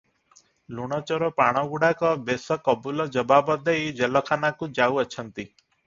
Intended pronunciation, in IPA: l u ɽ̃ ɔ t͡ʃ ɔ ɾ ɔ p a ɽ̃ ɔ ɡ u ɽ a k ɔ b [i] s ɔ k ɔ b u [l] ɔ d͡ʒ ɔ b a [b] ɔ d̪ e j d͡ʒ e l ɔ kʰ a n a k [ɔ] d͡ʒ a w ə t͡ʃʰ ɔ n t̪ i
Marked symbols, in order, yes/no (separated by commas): no, yes, yes, no